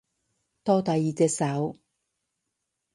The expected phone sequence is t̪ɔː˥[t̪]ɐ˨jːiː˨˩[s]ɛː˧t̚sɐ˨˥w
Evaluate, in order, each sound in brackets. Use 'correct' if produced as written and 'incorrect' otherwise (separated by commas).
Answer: correct, incorrect